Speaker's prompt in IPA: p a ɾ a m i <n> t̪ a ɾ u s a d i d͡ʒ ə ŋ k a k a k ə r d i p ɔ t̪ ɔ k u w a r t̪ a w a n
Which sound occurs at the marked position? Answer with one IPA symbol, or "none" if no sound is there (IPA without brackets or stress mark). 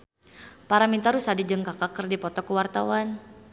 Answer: n